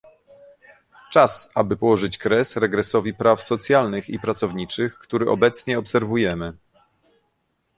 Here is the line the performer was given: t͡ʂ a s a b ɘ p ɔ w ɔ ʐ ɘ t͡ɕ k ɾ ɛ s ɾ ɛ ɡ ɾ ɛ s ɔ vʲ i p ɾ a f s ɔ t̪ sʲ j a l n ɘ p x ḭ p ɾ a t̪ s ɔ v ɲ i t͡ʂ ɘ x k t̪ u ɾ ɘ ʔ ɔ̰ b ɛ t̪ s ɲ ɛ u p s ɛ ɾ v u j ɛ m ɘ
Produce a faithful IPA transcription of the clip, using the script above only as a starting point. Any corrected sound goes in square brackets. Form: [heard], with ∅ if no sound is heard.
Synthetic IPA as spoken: t͡ʂ a s a b ɘ p ɔ w ɔ ʐ ɘ t͡ɕ k ɾ ɛ s ɾ ɛ ɡ ɾ ɛ s ɔ vʲ i p ɾ a f s ɔ t̪ sʲ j a l n ɘ [∅] x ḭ p ɾ a t̪ s ɔ v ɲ i t͡ʂ ɘ x k t̪ u ɾ ɘ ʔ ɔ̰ b ɛ t̪ s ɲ ɛ [ɔ] p s ɛ ɾ v u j ɛ m ɘ